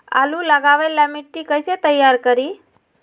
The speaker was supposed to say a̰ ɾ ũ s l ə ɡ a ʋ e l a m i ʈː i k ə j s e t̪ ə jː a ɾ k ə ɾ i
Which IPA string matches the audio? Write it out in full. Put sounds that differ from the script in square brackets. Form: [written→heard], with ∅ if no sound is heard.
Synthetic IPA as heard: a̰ [ɾ→l] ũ [s→∅] l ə ɡ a ʋ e l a m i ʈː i k ə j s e t̪ ə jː a ɾ k ə ɾ i